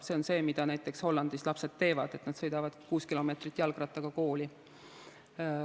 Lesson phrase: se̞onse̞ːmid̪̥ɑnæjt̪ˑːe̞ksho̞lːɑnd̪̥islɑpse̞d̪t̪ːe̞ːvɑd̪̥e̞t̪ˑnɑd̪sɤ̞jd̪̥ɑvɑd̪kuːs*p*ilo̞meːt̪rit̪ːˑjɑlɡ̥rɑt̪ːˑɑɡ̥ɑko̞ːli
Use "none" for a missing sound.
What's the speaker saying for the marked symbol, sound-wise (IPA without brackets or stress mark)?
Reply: k